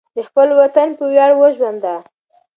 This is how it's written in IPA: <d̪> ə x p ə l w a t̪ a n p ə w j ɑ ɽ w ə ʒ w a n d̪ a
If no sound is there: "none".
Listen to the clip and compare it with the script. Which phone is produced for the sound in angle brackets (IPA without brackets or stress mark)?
d̪